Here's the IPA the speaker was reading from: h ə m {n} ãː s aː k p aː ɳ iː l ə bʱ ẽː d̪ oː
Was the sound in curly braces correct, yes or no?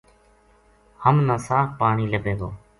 yes